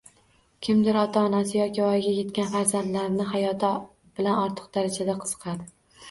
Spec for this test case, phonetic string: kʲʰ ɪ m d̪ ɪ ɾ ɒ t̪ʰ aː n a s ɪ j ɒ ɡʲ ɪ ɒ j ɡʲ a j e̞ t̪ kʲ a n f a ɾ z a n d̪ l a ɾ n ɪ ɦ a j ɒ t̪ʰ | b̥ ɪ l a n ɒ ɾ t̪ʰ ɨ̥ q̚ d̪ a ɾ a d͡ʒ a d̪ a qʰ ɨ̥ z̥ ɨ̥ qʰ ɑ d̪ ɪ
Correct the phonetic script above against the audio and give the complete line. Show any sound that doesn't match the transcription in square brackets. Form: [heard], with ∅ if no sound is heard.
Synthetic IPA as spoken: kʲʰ ɪ m d̪ ɪ ɾ ɒ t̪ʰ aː n a s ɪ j ɒ [kʲ] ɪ ɒ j ɡʲ a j e̞ t̪ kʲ a n f a ɾ z a n d̪ l a ɾ n ɪ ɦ a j ɒ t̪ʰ | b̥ ɪ l a n ɒ ɾ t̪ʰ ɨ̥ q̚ d̪ a ɾ a d͡ʒ a d̪ a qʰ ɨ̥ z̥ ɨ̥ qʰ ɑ d̪ ɪ